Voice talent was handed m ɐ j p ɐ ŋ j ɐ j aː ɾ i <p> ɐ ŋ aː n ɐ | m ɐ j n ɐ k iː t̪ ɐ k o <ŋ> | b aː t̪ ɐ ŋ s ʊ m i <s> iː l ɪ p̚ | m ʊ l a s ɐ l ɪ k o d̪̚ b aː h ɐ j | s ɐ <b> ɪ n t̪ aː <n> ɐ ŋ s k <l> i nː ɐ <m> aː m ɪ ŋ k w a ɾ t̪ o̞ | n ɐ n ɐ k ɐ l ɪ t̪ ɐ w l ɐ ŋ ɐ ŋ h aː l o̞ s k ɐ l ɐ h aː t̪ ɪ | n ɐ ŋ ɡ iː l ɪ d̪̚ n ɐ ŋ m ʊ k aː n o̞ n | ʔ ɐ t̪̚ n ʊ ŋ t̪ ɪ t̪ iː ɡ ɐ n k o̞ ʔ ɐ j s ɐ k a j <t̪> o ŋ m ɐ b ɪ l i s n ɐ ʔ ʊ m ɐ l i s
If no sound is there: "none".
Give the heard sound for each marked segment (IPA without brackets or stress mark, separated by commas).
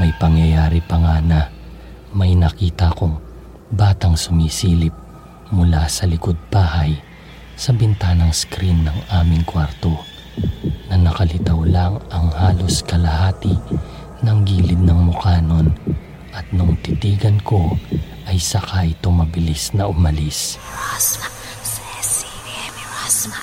p, ŋ, s, b, n, ɾ, ŋ, t̪